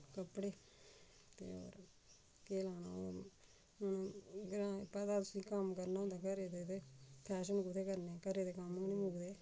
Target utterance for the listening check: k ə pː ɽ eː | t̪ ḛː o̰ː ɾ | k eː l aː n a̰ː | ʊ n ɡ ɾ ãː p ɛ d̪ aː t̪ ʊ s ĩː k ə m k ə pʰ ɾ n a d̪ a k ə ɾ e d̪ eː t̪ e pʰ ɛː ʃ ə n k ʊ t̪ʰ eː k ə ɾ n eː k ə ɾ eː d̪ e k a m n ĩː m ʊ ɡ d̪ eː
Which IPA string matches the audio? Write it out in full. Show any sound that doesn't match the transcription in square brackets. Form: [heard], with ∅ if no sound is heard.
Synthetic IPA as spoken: k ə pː ɽ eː | t̪ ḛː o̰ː ɾ | k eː l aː n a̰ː | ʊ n ɡ ɾ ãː p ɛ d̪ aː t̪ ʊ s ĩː k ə m k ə [∅] ɾ n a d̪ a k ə ɾ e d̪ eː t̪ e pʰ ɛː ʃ ə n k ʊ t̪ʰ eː k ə ɾ n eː k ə ɾ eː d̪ e k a m n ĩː m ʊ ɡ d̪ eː